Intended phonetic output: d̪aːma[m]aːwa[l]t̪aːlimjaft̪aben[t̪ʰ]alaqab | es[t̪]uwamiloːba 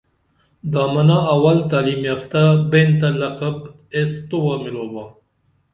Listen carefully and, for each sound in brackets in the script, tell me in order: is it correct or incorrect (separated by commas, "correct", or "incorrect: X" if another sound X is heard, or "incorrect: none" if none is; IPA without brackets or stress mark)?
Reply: incorrect: n, correct, incorrect: t̪, correct